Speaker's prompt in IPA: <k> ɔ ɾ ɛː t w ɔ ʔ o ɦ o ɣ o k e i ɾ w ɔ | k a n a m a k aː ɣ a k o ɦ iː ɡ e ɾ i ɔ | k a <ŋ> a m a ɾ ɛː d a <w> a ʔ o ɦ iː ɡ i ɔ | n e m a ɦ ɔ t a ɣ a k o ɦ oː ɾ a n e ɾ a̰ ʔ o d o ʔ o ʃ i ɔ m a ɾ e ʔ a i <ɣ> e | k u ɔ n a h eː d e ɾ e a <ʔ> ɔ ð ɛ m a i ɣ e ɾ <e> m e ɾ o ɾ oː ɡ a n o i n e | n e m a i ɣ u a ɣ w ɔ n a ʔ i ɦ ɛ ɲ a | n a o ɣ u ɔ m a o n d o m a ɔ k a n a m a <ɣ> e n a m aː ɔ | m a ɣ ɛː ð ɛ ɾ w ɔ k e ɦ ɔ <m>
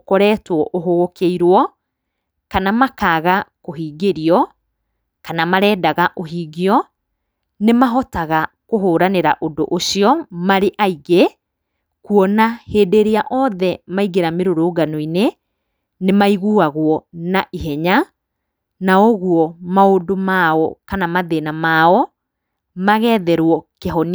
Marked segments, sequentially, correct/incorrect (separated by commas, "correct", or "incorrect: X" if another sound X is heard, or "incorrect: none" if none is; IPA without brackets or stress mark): correct, incorrect: n, incorrect: ɣ, correct, correct, incorrect: a, incorrect: ð, incorrect: n